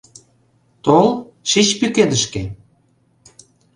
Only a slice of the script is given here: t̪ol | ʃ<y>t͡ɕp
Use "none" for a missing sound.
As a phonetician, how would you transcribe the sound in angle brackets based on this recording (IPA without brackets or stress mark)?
i